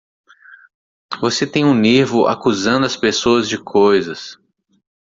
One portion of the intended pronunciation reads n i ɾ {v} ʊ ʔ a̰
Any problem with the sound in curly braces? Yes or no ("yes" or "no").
no